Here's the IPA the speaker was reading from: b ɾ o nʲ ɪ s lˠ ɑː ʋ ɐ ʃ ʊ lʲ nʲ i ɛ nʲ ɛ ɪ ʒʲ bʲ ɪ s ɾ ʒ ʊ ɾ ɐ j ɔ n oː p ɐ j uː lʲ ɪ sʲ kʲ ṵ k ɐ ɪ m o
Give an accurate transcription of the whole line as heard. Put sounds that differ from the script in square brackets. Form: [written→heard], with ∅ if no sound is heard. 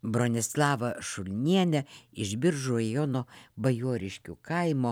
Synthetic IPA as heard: b ɾ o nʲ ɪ s lˠ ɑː ʋ ɐ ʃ ʊ lʲ nʲ i ɛ nʲ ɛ ɪ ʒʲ bʲ ɪ [s→∅] ɾ ʒ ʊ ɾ ɐ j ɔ n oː [p→b] ɐ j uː [lʲ→ɾʲ] ɪ [sʲ→ʃʲ] kʲ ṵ k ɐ ɪ m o